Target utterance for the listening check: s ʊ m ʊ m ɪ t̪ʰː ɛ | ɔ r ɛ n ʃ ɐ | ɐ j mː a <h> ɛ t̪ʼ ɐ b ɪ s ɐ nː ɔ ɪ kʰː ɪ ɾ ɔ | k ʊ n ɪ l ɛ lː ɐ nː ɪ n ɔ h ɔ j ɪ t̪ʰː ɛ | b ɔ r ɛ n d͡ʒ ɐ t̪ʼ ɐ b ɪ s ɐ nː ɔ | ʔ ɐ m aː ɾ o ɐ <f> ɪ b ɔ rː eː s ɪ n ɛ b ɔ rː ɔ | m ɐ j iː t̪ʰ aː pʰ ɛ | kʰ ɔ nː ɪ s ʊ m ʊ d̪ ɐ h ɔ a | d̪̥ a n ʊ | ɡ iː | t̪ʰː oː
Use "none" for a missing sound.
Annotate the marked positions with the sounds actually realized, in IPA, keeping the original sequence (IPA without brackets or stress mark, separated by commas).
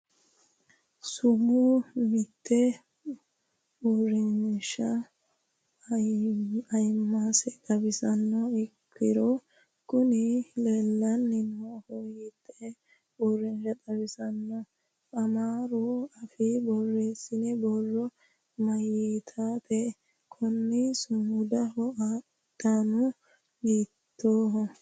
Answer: s, f